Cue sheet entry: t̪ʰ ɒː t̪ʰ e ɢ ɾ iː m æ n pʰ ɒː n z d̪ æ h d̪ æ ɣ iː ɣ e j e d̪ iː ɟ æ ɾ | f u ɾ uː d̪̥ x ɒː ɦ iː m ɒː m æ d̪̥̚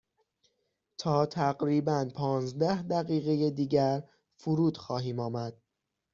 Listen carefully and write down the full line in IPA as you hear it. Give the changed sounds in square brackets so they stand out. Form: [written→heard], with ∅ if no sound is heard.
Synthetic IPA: t̪ʰ ɒː t̪ʰ [e→æ] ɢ ɾ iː [m→b] æ n pʰ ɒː n z d̪ æ h d̪ æ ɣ iː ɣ e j e d̪ iː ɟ æ ɾ | f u ɾ uː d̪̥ x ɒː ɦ iː m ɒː m æ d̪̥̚